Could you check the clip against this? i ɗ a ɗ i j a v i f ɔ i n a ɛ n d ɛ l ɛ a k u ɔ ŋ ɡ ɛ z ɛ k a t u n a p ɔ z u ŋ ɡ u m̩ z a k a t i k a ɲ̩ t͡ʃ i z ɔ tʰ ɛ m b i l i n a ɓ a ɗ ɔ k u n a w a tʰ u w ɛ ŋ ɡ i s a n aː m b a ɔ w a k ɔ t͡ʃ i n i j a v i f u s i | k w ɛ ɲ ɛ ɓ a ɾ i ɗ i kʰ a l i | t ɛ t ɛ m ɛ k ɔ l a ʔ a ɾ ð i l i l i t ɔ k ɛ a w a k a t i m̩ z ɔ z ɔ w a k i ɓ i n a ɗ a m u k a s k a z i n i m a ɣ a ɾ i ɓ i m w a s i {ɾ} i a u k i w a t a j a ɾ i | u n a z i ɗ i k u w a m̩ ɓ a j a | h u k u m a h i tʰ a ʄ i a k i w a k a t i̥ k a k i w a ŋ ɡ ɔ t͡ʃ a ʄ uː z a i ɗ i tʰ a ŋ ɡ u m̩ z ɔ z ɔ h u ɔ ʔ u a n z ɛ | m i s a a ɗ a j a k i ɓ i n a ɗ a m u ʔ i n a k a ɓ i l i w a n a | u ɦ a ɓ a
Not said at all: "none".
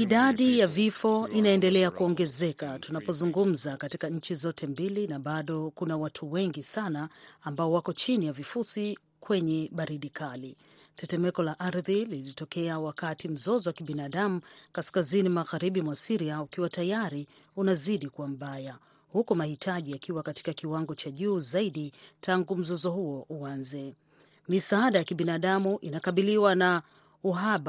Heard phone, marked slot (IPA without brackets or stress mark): ɾ